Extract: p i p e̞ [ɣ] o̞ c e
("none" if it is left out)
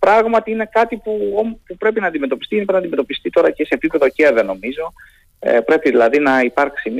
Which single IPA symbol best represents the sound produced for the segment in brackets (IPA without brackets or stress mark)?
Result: ð